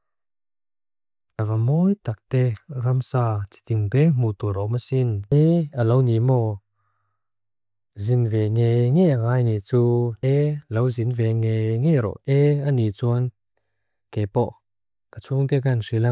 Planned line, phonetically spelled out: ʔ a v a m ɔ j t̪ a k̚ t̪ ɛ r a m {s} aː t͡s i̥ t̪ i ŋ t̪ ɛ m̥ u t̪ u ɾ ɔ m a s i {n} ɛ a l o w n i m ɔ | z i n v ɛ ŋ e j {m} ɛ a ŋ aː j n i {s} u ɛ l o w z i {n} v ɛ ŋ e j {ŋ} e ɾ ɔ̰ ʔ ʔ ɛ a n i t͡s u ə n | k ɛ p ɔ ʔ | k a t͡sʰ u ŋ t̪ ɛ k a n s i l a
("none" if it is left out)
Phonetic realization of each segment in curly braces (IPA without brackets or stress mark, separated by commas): s, n, ŋ, t͡s, n, ŋ